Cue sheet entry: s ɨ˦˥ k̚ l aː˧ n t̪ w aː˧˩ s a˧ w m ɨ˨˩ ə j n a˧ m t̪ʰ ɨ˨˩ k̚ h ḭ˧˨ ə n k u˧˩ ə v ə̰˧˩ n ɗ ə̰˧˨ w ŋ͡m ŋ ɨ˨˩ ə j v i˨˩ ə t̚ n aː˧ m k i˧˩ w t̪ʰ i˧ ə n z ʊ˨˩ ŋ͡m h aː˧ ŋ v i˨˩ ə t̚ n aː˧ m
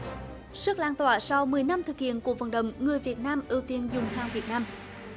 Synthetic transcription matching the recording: s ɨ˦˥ k̚ l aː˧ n t̪ w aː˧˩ s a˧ w m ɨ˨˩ ə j n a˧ m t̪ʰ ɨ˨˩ k̚ h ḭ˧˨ ə n k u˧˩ ə v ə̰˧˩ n ɗ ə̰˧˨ w ŋ͡m ŋ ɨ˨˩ ə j v i˨˩ ə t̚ n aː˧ m ʔ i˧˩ w t̪ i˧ ə n z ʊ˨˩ ŋ͡m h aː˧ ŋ v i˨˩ ə t̚ n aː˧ m